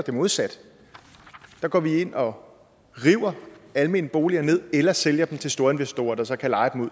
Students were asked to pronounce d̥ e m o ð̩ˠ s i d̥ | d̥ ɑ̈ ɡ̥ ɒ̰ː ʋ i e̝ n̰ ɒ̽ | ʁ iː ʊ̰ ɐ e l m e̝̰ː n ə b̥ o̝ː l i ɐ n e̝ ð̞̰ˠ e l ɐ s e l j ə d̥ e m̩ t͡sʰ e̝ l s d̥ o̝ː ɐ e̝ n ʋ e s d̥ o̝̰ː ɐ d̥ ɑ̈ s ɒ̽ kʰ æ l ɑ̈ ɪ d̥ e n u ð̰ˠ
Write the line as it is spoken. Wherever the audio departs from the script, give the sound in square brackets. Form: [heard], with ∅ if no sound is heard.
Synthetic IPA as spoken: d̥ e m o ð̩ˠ s [æ] d̥ | d̥ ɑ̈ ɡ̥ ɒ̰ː ʋ i e̝ n̰ ɒ̽ | ʁ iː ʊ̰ ɐ [æ] l m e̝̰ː n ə b̥ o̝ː l i ɐ n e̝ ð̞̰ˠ e l ɐ s e l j [ɐ] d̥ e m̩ t͡sʰ e̝ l s d̥ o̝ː ɐ e̝ n ʋ e s d̥ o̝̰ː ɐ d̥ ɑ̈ s ɒ̽ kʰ æ l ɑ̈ ɪ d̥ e [m] u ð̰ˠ